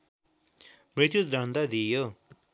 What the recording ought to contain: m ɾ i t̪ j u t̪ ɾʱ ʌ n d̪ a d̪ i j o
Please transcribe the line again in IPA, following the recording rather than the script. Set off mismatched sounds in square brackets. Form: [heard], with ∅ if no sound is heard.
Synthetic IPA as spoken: m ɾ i t̪ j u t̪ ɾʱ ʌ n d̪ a d̪ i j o